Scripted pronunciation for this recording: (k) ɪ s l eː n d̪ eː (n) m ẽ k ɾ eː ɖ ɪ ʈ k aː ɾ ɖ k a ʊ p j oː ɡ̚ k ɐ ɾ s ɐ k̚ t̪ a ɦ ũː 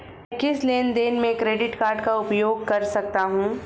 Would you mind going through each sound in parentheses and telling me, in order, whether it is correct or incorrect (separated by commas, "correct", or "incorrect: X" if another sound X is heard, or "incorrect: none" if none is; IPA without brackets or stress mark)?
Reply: correct, correct